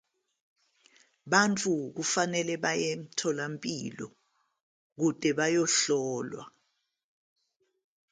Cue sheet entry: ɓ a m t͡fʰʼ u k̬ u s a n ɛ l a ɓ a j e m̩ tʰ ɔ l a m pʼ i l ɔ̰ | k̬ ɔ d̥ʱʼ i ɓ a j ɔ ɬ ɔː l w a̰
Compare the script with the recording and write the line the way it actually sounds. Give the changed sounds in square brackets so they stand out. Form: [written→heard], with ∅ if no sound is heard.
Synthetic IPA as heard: ɓ a [m→n] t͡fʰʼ u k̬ u [s→f] a n ɛ l [a→ɛ] ɓ a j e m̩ tʰ ɔ l a m pʼ i l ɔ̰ | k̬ [ɔ→u] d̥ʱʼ [i→ɛ] ɓ a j ɔ ɬ ɔː l w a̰